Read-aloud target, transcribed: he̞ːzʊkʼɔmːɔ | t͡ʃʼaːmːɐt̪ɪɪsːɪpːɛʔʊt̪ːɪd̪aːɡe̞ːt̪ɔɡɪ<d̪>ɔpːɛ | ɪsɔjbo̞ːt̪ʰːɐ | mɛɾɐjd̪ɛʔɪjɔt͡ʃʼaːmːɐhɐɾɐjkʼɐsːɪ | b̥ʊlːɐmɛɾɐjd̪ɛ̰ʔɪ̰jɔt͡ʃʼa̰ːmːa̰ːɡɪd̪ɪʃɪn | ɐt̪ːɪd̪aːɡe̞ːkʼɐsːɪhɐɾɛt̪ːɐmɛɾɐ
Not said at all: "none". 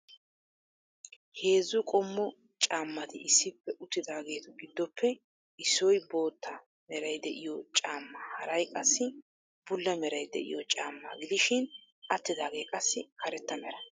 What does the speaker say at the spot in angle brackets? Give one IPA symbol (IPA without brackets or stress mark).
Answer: d̪ː